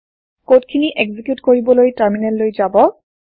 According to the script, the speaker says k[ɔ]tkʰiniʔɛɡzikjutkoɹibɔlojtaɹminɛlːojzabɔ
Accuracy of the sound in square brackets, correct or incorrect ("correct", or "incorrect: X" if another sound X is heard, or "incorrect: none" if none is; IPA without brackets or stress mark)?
incorrect: o